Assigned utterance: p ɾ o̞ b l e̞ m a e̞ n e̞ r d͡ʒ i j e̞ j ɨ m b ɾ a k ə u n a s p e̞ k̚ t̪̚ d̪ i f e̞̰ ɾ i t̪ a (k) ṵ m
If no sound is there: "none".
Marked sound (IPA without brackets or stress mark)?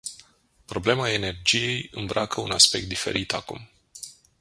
k